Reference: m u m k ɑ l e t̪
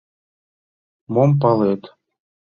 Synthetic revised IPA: m o m p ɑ l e t̪